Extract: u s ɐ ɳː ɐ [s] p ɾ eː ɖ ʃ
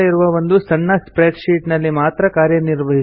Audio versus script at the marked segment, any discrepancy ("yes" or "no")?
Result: no